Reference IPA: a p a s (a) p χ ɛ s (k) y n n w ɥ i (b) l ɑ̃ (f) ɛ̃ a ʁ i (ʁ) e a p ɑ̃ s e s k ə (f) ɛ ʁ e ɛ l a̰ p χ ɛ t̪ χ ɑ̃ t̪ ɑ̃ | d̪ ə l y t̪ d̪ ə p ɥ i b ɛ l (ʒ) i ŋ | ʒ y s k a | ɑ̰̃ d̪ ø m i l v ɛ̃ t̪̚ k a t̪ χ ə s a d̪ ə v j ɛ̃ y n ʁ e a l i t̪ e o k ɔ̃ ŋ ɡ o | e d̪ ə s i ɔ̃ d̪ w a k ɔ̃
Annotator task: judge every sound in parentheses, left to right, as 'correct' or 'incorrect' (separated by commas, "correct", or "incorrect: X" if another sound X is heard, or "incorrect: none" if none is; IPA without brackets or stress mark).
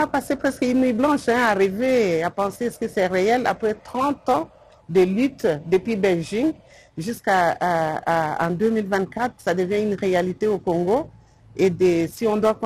incorrect: e, correct, correct, incorrect: ʃ, incorrect: v, incorrect: s, correct